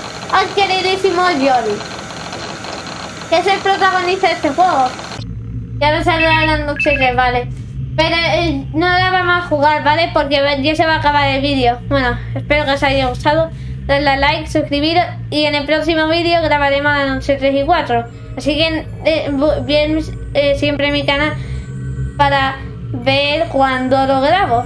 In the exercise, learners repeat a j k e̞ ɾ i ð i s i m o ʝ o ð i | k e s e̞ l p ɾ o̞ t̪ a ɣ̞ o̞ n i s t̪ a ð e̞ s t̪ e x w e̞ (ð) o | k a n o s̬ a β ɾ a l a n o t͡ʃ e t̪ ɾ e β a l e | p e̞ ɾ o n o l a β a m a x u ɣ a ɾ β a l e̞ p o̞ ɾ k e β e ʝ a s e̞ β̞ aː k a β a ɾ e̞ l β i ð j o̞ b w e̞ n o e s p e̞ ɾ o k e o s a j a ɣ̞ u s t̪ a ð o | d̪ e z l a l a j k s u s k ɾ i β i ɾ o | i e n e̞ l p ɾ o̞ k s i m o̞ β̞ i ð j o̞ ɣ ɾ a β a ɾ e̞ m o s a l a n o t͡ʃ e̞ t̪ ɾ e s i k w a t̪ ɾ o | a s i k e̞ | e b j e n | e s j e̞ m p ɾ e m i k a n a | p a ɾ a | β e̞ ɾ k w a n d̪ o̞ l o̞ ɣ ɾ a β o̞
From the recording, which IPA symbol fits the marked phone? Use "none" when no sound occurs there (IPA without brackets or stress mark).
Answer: ɣ